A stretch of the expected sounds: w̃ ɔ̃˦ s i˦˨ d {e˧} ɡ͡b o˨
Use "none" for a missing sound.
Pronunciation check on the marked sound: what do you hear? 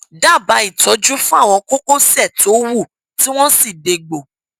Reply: e˧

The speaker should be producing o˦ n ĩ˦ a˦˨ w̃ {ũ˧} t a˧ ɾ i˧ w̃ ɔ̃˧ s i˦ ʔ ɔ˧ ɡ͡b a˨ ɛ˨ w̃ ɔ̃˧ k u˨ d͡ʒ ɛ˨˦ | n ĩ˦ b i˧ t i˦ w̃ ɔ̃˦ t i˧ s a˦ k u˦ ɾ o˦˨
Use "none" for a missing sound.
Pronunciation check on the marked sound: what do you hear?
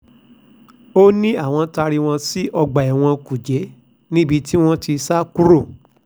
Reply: ɔ̃˧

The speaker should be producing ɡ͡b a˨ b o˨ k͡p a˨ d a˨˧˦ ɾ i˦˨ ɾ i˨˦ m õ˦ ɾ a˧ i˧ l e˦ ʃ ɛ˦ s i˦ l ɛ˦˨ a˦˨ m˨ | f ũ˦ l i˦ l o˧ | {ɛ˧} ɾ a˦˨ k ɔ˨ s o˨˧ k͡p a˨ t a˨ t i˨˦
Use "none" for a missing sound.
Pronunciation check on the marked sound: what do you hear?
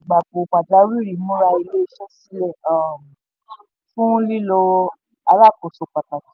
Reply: a˧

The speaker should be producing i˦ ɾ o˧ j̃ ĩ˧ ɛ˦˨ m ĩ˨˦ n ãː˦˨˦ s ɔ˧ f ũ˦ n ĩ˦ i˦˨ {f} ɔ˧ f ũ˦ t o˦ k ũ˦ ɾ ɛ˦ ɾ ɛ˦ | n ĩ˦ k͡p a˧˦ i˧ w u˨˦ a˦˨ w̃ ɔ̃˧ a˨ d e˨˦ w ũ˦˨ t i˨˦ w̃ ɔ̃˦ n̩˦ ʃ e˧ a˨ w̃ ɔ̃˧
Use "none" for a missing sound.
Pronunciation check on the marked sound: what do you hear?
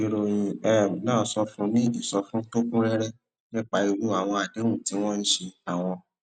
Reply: s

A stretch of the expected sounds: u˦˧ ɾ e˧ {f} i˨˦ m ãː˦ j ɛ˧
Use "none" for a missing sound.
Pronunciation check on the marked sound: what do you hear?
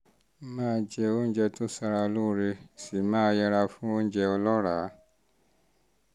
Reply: s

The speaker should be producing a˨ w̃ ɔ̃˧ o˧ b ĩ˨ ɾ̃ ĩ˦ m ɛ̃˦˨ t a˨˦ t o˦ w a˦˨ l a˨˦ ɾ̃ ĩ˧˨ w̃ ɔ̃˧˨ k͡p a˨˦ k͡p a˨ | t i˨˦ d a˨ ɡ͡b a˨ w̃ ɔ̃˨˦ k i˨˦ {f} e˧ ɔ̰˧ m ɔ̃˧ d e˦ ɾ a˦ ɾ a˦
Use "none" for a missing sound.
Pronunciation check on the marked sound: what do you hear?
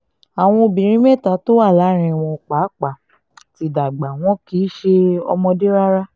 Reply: ʃ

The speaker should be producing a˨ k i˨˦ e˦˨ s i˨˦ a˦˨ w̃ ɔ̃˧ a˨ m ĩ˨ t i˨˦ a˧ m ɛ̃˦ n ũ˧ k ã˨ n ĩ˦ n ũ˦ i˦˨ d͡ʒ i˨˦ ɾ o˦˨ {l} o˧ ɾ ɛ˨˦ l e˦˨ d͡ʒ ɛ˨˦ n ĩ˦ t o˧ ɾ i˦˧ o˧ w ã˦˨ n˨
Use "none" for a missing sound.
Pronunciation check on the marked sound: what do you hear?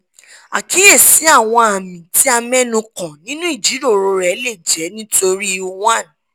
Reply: ɾ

